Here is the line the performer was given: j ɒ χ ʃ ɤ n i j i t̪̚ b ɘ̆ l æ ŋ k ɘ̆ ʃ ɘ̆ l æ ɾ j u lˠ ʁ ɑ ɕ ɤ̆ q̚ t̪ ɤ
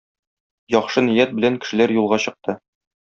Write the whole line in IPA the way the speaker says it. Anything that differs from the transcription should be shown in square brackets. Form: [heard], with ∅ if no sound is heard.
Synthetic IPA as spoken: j ɒ χ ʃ ɤ n i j [æ] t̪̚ b ɘ̆ l æ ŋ k ɘ̆ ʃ ɘ̆ l æ ɾ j u lˠ ʁ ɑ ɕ ɤ̆ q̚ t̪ ɤ